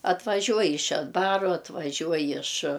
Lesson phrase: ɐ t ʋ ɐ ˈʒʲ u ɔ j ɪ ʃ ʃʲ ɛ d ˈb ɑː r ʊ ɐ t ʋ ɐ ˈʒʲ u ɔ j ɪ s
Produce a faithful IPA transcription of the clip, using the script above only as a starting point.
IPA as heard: ɐ t ʋ ɐ ˈʒʲ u ɔ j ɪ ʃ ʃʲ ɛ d ˈb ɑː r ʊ ɐ t ʋ ɐ ˈʒʲ u ɔ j ɪ ʃ